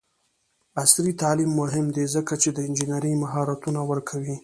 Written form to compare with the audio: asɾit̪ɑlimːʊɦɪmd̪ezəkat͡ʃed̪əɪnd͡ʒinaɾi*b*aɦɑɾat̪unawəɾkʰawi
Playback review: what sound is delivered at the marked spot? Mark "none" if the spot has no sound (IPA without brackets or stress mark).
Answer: m